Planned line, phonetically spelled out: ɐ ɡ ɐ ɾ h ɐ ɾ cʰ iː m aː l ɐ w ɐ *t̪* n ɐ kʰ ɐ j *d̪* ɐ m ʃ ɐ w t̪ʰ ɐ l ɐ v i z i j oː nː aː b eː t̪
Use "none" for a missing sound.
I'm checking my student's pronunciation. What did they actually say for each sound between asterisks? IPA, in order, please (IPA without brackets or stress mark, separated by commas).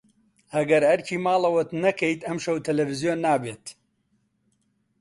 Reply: t̪, t̪